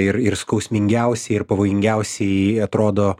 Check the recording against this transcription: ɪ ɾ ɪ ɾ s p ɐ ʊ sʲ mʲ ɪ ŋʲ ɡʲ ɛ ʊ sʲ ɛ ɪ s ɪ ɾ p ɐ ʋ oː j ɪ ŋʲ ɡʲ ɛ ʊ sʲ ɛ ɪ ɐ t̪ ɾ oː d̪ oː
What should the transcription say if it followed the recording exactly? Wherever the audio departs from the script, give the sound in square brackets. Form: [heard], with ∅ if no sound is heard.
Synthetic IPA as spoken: ɪ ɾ ɪ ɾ s [k] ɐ ʊ sʲ mʲ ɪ ŋʲ ɡʲ ɛ ʊ sʲ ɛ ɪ [∅] ɪ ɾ p ɐ ʋ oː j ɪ ŋʲ ɡʲ ɛ ʊ sʲ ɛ ɪ ɐ t̪ ɾ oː d̪ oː